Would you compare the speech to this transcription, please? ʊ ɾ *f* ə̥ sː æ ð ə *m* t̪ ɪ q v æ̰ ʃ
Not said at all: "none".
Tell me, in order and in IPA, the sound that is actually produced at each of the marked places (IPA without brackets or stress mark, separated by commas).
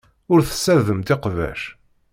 θ, m